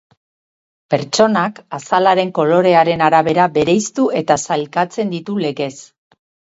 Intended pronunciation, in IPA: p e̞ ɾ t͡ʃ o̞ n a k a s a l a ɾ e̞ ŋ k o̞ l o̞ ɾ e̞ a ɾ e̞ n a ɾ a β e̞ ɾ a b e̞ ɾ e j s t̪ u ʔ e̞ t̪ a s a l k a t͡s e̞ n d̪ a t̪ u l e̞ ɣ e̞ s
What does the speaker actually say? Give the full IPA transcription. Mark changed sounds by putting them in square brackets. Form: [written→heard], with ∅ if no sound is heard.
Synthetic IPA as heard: p e̞ ɾ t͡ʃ o̞ n a k a s a l a ɾ e̞ ŋ k o̞ l o̞ ɾ e̞ a ɾ e̞ n a ɾ a β e̞ ɾ a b e̞ ɾ e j s t̪ u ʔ e̞ t̪ a s a l k a t͡s e̞ n d̪ [a→i] t̪ u l e̞ ɣ e̞ s